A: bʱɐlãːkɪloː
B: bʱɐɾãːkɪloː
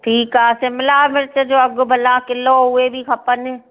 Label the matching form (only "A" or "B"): A